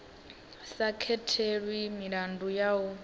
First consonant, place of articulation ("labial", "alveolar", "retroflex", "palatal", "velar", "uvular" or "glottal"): alveolar